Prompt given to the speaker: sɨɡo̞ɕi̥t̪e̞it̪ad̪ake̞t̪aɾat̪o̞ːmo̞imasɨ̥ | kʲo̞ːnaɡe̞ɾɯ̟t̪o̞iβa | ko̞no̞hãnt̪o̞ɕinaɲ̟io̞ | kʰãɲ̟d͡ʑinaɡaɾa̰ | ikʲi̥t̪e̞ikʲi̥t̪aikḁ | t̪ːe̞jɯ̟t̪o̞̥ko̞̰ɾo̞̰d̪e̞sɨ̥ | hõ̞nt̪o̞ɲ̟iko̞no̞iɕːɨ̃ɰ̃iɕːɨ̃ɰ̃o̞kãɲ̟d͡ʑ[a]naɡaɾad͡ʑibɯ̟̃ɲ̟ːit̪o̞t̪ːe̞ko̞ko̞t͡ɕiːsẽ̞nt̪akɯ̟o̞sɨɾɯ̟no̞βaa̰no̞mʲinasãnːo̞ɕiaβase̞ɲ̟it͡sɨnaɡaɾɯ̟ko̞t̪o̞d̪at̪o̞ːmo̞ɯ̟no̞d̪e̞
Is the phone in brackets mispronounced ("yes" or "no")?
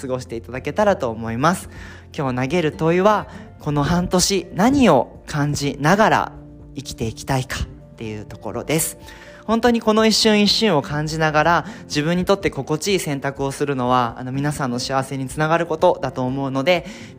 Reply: yes